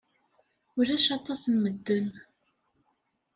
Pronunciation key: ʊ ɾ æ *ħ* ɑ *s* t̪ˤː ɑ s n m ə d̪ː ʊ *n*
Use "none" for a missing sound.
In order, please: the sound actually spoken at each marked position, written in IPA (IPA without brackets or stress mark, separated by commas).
ʃ, none, n